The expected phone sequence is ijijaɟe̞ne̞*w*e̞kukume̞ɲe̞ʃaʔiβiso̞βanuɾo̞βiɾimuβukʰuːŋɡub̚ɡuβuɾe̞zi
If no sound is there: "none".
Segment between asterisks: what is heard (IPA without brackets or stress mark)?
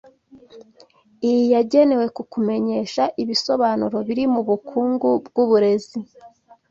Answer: w